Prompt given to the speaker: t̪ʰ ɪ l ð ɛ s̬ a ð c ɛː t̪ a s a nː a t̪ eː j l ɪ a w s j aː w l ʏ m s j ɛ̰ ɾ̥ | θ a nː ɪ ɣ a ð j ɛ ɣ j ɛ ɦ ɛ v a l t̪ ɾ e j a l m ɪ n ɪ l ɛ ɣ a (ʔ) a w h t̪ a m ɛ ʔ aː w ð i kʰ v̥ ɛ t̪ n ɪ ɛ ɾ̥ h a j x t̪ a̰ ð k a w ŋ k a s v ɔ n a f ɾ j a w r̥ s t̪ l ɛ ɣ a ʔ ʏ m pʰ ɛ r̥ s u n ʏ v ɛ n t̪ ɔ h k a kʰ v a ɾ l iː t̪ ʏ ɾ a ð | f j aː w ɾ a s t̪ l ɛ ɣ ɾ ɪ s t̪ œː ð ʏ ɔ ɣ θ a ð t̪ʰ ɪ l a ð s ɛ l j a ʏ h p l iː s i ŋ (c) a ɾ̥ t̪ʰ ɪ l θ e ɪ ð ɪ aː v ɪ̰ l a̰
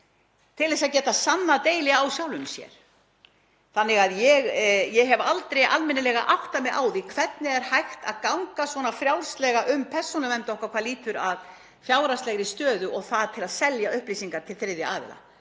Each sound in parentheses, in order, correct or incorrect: correct, incorrect: k

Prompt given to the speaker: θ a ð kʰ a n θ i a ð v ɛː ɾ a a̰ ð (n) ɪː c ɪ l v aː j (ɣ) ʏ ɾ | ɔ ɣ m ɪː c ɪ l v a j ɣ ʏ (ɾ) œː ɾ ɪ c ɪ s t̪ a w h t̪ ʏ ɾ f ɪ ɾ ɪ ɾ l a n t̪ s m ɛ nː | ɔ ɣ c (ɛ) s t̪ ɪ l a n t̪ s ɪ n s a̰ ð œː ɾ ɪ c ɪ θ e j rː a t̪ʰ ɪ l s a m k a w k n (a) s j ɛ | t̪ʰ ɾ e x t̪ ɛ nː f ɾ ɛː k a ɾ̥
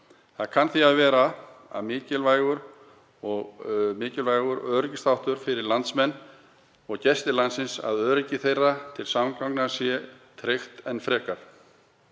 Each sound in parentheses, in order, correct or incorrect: incorrect: m, correct, correct, correct, correct

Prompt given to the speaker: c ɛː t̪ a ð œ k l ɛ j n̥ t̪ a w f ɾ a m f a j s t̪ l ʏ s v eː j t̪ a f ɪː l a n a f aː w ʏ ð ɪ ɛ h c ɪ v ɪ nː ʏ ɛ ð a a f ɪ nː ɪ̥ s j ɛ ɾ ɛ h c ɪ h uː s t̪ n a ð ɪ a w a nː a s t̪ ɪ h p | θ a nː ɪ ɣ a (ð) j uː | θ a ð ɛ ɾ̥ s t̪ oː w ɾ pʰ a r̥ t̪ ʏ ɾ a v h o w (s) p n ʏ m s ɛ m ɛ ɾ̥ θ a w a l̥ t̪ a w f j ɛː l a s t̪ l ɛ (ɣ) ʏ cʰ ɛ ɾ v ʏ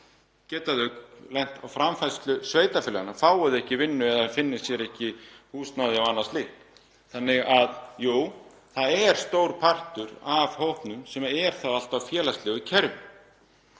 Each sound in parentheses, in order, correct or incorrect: correct, incorrect: h, correct

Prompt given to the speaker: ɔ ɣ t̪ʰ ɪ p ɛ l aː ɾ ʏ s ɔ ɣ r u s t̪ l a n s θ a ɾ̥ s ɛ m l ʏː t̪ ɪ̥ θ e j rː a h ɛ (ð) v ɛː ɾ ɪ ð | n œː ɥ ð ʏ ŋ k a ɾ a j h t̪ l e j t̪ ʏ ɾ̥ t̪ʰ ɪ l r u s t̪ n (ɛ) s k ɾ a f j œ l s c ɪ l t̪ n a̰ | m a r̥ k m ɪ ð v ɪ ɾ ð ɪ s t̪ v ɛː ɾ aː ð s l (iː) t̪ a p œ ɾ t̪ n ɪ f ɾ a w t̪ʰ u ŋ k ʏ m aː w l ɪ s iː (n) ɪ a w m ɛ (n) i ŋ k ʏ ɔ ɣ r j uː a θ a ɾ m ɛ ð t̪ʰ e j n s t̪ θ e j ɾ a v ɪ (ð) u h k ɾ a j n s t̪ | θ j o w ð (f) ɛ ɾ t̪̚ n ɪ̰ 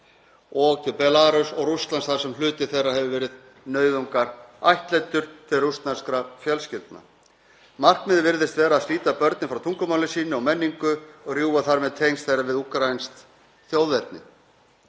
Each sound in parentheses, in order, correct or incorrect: incorrect: v, incorrect: a, correct, correct, incorrect: nː, correct, incorrect: v

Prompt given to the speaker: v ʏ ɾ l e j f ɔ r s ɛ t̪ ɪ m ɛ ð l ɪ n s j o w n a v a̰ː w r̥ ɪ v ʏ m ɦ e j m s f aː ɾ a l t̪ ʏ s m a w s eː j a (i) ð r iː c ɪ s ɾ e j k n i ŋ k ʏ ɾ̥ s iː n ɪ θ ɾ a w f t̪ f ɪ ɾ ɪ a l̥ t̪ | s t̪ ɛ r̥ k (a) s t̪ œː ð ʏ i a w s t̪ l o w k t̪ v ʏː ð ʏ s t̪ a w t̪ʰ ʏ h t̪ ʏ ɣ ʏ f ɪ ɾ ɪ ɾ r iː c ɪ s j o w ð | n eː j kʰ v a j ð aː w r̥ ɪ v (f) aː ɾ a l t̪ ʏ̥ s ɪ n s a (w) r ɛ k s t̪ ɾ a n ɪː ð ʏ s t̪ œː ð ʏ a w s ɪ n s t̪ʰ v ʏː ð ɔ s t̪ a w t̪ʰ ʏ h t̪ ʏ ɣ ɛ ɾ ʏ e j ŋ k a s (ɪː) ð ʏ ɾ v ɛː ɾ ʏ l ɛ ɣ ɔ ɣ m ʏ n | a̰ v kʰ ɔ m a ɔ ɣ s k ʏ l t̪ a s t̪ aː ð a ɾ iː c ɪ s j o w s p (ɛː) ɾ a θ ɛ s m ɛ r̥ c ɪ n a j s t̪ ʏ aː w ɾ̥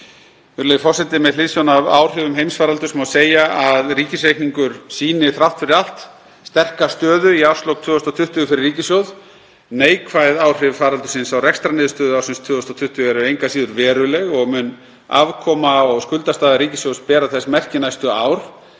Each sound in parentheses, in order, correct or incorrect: incorrect: a, correct, correct, correct, incorrect: iː, correct

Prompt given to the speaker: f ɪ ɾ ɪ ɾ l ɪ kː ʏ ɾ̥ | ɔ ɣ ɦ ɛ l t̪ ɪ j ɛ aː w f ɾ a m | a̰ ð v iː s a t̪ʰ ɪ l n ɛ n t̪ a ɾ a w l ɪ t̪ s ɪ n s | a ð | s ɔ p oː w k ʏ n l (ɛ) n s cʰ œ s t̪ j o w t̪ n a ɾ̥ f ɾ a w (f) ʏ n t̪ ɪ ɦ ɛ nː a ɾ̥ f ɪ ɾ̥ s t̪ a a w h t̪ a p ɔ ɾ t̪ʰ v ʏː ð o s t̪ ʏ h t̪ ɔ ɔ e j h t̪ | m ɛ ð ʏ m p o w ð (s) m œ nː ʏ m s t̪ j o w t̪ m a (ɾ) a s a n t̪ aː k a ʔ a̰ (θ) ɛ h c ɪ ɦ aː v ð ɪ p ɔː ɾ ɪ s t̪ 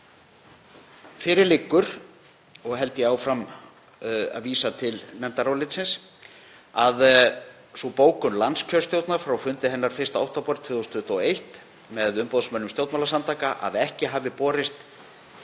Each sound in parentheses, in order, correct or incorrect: incorrect: a, correct, correct, incorrect: l, incorrect: ð

